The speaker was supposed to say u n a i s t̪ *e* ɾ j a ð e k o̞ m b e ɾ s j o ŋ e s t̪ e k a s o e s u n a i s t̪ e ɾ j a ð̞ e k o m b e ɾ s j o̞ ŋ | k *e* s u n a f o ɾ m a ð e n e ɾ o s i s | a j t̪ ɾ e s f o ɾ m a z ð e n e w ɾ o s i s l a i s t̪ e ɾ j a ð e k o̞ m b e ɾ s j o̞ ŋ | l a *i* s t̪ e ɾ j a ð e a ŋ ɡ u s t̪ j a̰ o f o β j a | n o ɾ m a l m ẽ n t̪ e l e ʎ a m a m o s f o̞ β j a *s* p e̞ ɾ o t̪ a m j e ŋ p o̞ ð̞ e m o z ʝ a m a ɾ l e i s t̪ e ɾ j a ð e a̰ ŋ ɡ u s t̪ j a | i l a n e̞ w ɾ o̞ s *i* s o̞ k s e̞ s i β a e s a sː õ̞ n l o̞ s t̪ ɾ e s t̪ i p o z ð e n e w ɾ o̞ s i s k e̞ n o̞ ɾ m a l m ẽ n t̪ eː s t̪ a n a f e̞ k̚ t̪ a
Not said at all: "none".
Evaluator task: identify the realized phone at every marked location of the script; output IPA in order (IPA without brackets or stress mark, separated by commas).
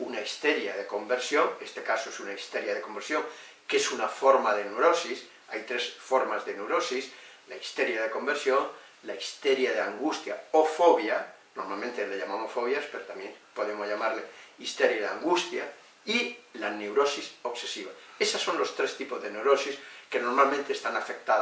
e, e, i, s, i